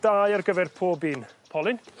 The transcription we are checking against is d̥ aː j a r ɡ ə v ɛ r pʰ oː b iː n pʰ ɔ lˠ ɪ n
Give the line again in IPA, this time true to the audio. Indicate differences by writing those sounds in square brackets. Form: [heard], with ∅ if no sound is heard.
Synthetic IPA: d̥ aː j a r ɡ ə v ɛ r pʰ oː b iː n pʰ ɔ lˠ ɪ n